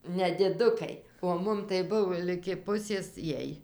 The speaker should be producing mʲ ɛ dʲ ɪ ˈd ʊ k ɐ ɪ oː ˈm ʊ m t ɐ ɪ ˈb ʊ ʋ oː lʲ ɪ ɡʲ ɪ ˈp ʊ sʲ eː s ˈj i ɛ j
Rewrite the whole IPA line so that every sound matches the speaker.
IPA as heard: nʲ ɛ dʲ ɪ ˈd ʊ k ɐ ɪ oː ˈm ʊ m t ɐ ɪ ˈb ʊ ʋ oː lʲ ɪ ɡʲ ɪ ˈp ʊ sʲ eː s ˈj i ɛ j